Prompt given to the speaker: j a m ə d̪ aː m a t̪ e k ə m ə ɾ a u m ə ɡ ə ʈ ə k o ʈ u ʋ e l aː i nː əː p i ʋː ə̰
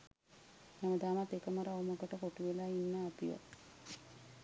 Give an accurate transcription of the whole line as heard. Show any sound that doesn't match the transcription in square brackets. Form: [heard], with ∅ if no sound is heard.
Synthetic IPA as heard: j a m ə d̪ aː m a t̪ e k ə m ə ɾ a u m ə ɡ ə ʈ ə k o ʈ u ʋ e l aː i nː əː p i [ʋ] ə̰